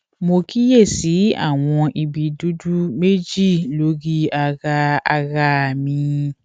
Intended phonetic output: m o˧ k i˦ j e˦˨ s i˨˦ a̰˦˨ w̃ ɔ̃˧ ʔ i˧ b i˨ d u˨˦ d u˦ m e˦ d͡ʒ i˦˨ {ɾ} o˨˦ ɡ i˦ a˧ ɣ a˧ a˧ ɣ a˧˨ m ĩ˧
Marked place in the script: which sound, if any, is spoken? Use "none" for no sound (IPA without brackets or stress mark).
l